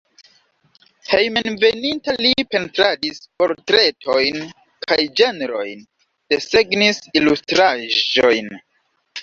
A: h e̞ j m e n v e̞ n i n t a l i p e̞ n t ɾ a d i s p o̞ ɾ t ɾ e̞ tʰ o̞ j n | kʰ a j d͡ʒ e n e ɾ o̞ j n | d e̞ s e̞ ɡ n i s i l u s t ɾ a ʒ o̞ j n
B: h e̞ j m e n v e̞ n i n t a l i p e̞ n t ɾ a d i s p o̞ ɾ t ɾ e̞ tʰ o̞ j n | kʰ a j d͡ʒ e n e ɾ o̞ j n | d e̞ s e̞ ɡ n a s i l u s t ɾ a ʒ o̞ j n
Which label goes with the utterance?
A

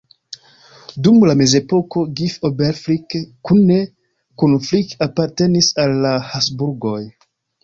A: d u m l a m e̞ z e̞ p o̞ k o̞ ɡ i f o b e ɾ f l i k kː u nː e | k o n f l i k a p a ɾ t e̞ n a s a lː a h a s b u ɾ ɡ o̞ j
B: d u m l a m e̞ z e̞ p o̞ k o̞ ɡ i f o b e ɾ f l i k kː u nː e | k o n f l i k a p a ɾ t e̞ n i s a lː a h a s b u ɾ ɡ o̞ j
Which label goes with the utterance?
B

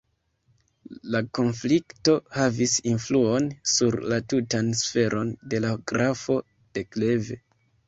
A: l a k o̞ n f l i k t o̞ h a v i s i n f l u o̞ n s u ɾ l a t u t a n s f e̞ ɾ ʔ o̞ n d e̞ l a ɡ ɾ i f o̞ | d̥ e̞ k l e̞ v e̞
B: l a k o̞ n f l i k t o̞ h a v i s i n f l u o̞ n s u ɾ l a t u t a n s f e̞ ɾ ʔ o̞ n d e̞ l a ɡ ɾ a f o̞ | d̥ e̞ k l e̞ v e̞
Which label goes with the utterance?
B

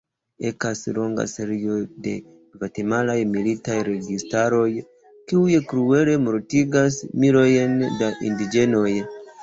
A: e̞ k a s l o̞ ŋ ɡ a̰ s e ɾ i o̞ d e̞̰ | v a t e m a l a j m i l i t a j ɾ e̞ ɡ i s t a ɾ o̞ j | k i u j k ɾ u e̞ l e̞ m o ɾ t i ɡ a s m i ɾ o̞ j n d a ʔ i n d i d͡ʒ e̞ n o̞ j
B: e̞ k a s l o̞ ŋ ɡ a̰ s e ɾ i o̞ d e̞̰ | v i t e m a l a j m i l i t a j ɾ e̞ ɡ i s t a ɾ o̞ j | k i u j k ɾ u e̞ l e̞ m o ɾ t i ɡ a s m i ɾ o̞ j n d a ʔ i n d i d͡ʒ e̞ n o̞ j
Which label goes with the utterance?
A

